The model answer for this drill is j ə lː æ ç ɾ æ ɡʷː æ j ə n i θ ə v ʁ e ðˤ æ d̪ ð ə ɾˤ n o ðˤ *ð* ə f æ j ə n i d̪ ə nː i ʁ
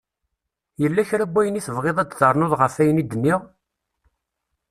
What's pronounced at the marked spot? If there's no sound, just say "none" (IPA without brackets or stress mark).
ʁ